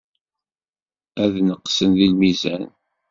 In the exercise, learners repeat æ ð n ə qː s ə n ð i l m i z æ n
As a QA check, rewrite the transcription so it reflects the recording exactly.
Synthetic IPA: æ ð n ə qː s ə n ð i l m i z æ n